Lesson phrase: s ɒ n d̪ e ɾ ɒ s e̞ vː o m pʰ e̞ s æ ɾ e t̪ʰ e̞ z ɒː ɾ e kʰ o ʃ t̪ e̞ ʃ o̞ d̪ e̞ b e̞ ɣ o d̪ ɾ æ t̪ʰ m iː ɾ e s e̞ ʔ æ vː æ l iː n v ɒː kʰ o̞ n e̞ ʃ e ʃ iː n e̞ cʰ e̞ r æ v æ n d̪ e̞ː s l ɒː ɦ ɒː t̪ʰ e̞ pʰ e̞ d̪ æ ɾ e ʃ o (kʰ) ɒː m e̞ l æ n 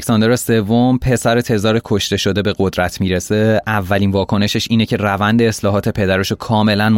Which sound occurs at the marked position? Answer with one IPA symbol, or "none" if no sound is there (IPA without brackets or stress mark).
kʰ